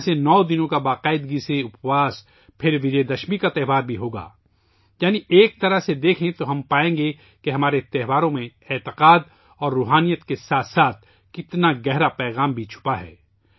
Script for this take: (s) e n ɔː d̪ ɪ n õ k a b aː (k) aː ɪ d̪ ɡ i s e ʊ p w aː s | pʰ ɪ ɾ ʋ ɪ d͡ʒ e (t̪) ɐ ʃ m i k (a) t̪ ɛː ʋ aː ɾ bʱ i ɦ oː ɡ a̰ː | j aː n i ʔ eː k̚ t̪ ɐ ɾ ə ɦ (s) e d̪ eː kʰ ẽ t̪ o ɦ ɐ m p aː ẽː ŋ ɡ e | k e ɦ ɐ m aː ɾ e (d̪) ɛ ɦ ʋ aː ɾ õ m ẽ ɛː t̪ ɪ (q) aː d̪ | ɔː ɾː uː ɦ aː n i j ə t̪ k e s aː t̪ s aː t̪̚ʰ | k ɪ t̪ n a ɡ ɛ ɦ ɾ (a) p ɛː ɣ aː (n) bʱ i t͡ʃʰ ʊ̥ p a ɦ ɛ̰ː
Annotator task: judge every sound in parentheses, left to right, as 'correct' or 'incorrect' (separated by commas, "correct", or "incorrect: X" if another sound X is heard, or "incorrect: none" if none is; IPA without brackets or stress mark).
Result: correct, incorrect: q, incorrect: d̪, correct, correct, incorrect: t̪, correct, correct, incorrect: m